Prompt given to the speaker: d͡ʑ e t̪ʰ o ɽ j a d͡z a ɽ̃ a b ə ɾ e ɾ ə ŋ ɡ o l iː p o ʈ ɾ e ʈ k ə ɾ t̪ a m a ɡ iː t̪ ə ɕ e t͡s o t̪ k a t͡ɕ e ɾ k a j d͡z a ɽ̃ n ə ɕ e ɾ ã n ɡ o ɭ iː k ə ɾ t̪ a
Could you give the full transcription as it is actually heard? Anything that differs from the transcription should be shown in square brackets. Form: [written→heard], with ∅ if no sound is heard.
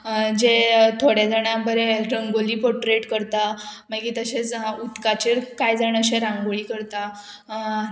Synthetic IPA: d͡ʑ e t̪ʰ o ɽ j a d͡z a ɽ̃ a b ə ɾ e ɾ ə ŋ ɡ o l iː p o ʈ ɾ e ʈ k ə ɾ t̪ a m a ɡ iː t̪ ə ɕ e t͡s [o→u] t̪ k a t͡ɕ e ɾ k a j d͡z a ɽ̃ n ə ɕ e ɾ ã [n→ŋ] ɡ o ɭ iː k ə ɾ t̪ a